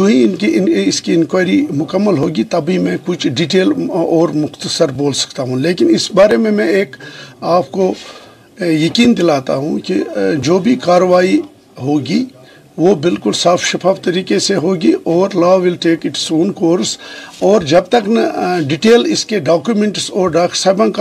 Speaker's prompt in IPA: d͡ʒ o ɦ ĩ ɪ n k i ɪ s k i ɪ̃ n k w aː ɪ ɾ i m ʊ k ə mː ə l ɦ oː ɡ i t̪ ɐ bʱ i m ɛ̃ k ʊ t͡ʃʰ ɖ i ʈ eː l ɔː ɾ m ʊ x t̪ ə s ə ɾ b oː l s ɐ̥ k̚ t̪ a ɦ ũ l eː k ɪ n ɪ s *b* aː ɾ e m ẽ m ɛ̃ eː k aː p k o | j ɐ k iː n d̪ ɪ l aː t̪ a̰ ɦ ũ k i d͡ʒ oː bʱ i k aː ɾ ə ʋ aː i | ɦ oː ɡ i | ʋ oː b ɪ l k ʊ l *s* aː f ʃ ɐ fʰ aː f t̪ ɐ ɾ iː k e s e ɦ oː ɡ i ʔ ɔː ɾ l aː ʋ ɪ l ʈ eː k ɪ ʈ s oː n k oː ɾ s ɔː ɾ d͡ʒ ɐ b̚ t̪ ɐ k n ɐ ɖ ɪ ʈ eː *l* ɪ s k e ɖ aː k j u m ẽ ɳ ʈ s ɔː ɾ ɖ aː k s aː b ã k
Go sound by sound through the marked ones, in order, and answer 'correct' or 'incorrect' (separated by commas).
correct, correct, correct